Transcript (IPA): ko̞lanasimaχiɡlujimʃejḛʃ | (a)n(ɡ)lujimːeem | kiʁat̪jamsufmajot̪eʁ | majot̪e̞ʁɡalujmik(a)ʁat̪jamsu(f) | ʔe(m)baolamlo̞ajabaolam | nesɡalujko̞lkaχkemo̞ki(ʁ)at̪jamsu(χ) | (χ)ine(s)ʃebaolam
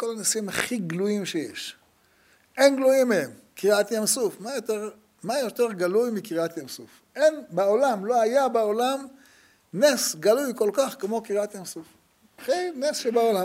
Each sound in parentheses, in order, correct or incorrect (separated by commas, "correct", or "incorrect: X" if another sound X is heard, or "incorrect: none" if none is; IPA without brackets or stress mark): incorrect: e, correct, incorrect: i, correct, incorrect: n, correct, incorrect: f, correct, correct